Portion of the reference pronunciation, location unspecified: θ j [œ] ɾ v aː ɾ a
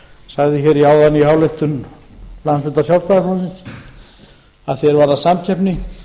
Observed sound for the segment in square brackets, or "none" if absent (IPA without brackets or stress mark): ɛ